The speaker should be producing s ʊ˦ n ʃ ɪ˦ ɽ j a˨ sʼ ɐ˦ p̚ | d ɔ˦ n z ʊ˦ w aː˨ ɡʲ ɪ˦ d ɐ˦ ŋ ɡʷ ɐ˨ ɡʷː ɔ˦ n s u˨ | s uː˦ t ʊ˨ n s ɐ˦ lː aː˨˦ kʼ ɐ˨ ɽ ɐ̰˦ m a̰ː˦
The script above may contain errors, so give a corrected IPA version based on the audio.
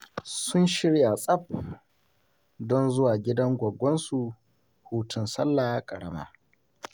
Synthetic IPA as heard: s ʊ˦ n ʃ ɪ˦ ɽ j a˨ sʼ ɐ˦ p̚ | d ɔ˦ n z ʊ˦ w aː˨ ɡʲ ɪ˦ d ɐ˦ ŋ ɡʷ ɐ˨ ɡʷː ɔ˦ n s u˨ | h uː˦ t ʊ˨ n s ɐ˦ lː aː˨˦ kʼ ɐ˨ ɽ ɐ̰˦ m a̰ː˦